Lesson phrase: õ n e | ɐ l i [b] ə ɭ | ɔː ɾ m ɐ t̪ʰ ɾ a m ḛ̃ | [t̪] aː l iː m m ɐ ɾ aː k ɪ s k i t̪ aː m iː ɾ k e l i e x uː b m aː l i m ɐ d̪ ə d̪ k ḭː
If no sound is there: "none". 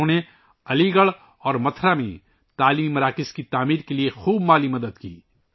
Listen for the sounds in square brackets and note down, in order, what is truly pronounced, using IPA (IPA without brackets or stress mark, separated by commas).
ɡ, t̪